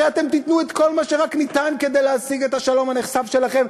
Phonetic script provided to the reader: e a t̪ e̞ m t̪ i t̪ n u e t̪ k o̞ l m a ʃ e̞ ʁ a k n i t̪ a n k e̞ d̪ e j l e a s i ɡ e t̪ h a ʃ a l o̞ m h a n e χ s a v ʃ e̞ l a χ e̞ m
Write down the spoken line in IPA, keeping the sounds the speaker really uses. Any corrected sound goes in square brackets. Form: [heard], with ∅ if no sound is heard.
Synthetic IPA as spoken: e a t̪ e̞ m t̪ i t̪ n u e t̪ k o̞ l m a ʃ e̞ ʁ a k n i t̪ a n k e̞ d̪ e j l e a s i ɡ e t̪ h a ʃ a l o̞ m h a n e χ s a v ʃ e̞ l a χ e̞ m